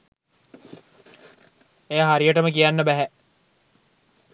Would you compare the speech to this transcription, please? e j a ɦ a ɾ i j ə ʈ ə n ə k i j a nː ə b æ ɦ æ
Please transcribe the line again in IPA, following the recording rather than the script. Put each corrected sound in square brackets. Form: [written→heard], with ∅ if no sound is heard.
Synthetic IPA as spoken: e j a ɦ a ɾ i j ə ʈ ə [n→m] ə k i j a nː ə b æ ɦ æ